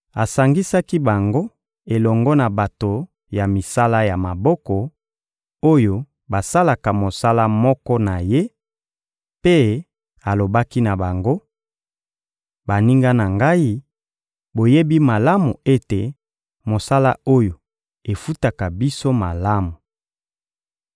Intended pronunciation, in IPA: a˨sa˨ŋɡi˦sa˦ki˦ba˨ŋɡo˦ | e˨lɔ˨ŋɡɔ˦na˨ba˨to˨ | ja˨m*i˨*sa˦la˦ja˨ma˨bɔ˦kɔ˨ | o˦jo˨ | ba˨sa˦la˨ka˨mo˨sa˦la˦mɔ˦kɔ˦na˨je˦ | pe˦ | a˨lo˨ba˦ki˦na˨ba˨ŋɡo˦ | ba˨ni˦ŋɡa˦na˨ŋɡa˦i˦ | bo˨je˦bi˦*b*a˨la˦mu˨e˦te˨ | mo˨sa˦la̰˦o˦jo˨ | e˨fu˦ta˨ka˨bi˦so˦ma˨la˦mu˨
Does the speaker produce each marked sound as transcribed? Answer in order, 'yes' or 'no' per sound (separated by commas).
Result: yes, no